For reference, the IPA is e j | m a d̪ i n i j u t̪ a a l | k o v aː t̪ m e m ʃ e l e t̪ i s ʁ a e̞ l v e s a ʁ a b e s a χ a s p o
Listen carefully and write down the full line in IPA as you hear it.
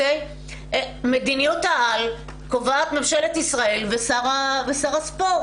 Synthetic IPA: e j | m e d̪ i n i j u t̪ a a l | k o v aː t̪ m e m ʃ e l e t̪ i s ʁ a e̞ l v e s a ʁ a v e s a ʁ a s p o